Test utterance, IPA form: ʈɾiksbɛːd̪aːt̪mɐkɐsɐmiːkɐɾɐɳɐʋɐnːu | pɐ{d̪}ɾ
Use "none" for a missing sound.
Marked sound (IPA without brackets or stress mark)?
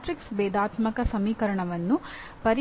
none